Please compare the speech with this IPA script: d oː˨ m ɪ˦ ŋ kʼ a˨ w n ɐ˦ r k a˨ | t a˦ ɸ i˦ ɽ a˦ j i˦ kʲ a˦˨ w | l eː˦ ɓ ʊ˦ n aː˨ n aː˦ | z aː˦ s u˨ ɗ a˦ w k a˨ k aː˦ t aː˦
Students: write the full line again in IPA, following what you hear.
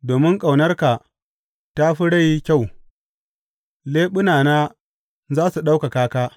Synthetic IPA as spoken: d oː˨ m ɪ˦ ŋ kʼ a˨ w n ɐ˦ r k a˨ | t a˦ ɸ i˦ ɽ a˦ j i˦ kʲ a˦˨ w | l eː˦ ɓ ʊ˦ n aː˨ n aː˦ | z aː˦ s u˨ ɗ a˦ w k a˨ k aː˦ k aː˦